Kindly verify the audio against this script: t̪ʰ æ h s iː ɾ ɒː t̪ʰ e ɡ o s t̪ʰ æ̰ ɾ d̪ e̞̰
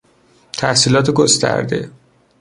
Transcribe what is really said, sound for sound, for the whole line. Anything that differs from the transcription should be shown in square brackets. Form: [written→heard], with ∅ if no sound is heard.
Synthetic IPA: t̪ʰ æ h s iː [ɾ→l] ɒː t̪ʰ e ɡ o s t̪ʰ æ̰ ɾ d̪ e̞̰